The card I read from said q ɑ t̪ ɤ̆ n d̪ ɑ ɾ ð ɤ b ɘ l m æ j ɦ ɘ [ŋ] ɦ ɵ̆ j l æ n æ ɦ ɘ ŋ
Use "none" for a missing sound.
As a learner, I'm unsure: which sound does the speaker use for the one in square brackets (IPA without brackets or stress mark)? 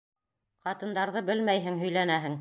ŋ